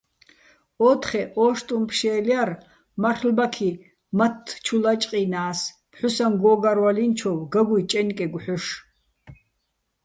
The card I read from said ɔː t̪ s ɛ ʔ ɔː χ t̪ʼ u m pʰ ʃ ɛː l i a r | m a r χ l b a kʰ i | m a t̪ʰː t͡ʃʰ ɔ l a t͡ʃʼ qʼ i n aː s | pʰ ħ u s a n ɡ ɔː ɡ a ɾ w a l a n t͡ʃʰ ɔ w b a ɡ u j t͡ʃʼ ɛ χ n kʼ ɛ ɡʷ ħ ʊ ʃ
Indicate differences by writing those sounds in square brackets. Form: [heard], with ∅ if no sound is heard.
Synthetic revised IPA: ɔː t̪ [χ] ɛ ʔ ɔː [ʃ] t̪ʼ u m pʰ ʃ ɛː l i a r | m a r χ l b a kʰ i | m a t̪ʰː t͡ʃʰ [u] l a t͡ʃʼ qʼ i n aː s | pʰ ħ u s a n ɡ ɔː ɡ a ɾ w a l [i] n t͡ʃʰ ɔ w [ɡ] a ɡ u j t͡ʃʼ ɛ [∅] n kʼ ɛ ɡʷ ħ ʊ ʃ